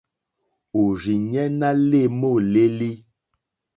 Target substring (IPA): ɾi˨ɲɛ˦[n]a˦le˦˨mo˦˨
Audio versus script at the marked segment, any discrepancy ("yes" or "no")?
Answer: no